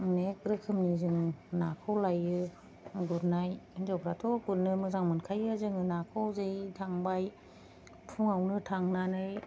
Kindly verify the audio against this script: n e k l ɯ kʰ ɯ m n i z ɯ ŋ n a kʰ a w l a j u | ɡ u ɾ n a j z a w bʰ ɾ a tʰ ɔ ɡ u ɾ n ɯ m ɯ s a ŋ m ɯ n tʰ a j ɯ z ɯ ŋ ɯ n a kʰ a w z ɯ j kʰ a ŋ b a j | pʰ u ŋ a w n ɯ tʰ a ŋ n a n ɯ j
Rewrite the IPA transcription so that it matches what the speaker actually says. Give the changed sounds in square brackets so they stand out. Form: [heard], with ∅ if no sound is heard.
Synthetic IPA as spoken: n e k [ɾ] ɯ kʰ ɯ m n i z ɯ ŋ n a kʰ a w l a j [ɯ] | ɡ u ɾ n a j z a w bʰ ɾ a tʰ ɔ ɡ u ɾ n ɯ m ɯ [z] a ŋ m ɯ n [kʰ] a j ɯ z ɯ ŋ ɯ n a kʰ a w z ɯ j [tʰ] a ŋ b a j | pʰ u ŋ a w n ɯ tʰ a ŋ n a n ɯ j